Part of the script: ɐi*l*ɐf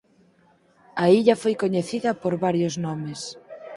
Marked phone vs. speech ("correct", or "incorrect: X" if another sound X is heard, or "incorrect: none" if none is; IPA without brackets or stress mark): incorrect: ʎ